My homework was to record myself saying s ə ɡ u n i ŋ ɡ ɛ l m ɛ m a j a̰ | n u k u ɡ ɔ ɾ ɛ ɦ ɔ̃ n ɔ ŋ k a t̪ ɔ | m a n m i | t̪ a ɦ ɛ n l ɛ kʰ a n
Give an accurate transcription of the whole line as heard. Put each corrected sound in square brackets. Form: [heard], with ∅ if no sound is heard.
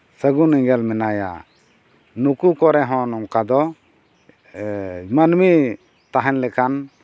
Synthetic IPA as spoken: s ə ɡ u n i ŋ ɡ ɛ l m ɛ [n] a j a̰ | n u k u [k] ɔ ɾ ɛ ɦ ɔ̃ n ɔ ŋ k a [d̪] ɔ | m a n m i | t̪ a ɦ ɛ n l ɛ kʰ a n

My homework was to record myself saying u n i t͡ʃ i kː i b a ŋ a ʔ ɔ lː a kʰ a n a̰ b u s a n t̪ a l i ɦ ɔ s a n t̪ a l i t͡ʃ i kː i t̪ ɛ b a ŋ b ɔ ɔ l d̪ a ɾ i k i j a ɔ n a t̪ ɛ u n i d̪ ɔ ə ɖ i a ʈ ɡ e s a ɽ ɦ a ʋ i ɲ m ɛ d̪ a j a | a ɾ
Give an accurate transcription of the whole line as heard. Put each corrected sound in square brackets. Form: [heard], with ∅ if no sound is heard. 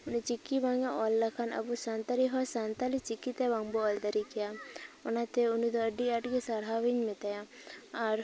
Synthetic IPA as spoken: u n i t͡ʃ i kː i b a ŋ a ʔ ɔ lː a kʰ a n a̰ b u s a n t̪ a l i ɦ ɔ s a n t̪ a l i t͡ʃ i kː i t̪ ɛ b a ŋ b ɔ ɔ l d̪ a ɾ i k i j a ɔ n a t̪ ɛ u n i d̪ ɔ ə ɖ i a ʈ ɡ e s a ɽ ɦ a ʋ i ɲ m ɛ [t̪] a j a | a ɾ

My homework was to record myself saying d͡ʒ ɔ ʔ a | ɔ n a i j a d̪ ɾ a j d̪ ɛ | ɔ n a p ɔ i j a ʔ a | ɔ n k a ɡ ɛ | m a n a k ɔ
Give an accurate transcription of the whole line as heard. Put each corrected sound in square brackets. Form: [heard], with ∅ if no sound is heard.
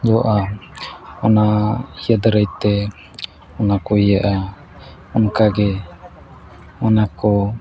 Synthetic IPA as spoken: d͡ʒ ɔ ʔ a | ɔ n a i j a d̪ ɾ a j [t̪] ɛ | ɔ n a [k] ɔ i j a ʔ a | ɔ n k a ɡ ɛ | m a n a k ɔ

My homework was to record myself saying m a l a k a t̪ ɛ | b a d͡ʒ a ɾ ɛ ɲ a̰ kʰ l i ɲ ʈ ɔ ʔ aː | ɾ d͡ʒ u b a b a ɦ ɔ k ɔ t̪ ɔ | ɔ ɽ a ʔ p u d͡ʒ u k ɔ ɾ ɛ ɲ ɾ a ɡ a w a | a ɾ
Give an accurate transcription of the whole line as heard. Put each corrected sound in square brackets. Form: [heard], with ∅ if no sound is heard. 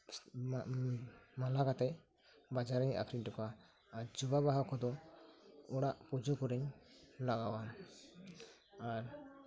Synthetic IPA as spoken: m a l a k a t̪ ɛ | b a d͡ʒ a ɾ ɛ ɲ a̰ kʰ [ɾ] i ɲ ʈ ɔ [k] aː | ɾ d͡ʒ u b a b a ɦ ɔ k ɔ [d̪] ɔ | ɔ ɽ a ʔ p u d͡ʒ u k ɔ ɾ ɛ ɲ [l] a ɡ a w a | a ɾ

